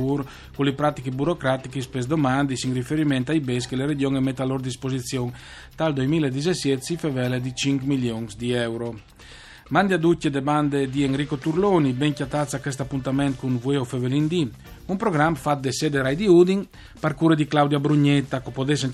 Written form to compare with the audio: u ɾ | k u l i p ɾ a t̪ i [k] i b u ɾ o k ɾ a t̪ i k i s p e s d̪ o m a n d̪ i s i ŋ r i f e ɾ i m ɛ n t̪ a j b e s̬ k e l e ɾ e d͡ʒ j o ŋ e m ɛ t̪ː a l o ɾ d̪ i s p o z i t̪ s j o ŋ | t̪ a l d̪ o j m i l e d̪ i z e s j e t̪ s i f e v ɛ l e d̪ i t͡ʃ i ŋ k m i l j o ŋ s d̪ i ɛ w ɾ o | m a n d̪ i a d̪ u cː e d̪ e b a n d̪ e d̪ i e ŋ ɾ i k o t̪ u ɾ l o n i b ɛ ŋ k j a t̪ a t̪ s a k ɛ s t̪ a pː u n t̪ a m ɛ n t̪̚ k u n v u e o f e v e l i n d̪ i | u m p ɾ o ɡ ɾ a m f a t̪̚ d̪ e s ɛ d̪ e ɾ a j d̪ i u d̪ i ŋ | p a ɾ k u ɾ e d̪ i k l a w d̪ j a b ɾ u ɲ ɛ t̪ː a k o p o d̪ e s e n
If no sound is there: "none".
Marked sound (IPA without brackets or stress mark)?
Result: k